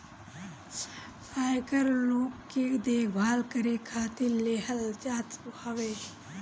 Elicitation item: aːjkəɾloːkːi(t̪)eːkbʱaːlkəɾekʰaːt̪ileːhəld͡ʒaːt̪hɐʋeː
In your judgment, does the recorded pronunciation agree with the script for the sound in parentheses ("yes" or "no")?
no